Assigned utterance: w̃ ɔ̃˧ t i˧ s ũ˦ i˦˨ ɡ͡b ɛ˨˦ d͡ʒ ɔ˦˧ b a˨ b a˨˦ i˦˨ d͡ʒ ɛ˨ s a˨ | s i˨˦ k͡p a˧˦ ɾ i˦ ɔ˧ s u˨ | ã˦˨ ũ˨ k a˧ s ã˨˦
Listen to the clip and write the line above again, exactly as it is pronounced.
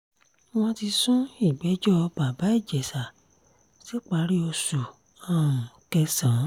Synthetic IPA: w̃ ɔ̃˧ t i˧ s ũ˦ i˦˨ ɡ͡b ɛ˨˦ d͡ʒ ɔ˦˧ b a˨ b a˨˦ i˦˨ d͡ʒ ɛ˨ s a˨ | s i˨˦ k͡p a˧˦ ɾ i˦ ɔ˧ s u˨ | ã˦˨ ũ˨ k ɛ˧ s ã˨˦

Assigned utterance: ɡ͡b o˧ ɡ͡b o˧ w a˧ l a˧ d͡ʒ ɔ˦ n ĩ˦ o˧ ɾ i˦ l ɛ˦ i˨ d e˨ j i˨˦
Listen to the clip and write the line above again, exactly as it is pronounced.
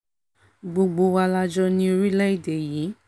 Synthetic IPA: ɡ͡b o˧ ɡ͡b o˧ w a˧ l a˧ d͡ʒ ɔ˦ n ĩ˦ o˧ ɾ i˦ l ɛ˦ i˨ d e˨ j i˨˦

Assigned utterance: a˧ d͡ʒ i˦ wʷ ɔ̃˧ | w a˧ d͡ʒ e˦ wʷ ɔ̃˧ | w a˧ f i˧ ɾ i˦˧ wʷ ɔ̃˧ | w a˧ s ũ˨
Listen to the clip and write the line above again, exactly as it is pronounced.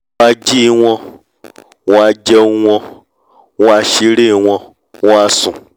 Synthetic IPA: a˧ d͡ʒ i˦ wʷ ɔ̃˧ | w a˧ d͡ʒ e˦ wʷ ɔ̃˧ | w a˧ ʃ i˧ ɾ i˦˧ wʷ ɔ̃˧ | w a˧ s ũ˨

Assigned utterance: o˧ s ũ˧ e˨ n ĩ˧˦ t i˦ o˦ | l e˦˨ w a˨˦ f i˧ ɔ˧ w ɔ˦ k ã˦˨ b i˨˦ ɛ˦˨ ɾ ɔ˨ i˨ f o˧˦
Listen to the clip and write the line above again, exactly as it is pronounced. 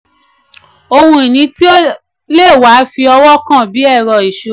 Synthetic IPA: o˧ h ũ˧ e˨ n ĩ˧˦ t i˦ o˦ | l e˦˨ w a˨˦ f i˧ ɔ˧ w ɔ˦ k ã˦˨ b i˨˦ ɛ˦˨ ɾ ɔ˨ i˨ ʃ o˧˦

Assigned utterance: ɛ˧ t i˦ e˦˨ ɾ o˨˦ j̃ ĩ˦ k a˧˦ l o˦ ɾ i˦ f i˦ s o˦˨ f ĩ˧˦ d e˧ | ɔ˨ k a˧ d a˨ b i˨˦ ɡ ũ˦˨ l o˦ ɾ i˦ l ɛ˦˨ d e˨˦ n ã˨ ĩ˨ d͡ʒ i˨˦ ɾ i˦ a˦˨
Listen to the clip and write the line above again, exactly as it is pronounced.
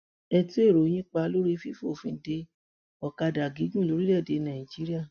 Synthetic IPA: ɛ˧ t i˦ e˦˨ ɾ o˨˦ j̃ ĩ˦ k͡p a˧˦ l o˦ ɾ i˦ f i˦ f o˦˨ f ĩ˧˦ d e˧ | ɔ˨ k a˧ d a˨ ɡ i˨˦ ɡ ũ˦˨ l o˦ ɾ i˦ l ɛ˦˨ d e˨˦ n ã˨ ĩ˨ d͡ʒ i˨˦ ɾ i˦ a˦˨

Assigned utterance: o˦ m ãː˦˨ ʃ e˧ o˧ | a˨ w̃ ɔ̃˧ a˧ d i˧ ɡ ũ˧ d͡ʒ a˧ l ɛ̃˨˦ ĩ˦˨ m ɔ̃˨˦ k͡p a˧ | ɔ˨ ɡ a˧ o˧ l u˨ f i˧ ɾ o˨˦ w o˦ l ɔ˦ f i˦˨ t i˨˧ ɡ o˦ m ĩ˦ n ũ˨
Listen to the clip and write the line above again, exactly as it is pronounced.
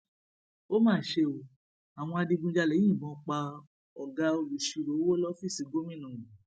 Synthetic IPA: o˦ m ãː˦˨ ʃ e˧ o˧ | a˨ w̃ ɔ̃˧ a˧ d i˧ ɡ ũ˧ d͡ʒ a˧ l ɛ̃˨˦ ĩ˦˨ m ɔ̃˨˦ k͡p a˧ | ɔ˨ ɡ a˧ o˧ l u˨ ʃ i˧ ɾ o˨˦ w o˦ l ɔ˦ f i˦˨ s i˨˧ ɡ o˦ m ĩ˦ n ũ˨

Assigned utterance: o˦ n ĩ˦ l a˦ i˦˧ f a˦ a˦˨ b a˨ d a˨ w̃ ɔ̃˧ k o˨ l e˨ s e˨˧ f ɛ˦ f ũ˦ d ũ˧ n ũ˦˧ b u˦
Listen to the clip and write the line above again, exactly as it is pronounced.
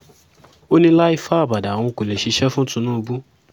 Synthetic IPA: o˦ n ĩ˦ l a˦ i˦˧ f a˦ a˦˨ b a˨ d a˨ w̃ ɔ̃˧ k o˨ l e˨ ʃ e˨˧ ʃ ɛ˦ f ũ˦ t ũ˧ n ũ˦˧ b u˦

